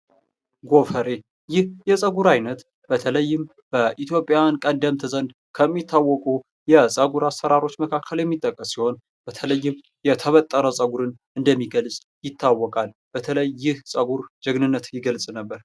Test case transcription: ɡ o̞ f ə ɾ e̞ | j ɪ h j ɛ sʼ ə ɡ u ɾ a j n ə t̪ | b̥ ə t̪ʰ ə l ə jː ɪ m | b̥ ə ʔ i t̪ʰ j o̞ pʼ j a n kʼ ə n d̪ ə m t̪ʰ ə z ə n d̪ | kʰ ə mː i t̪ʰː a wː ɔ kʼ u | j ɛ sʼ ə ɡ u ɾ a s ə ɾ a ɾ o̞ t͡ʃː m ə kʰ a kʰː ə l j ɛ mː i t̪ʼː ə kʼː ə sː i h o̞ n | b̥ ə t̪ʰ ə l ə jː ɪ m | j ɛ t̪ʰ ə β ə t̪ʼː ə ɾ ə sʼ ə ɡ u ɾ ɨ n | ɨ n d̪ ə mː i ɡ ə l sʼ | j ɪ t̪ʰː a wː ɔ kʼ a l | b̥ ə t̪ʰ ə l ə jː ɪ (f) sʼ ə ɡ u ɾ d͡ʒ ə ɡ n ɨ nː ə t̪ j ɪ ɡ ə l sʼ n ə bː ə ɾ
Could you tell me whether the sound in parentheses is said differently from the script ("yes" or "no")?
yes